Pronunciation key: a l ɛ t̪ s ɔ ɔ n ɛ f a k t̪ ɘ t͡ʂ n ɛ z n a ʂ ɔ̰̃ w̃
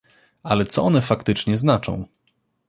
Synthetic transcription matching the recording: a l ɛ t̪ s ɔ ɔ n ɛ f a k t̪ ɘ t͡ʂ ɲ ɛ z n a t͡ʂ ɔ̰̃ w̃